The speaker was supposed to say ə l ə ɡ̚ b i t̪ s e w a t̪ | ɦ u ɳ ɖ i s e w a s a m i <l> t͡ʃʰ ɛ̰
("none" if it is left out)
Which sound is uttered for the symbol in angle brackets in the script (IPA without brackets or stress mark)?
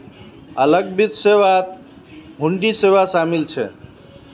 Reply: l